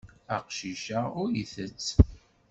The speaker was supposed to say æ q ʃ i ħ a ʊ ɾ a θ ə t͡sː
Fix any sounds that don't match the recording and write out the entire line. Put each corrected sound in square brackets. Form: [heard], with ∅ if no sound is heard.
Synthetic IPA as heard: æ q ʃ i [ʃ] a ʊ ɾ [i] θ ə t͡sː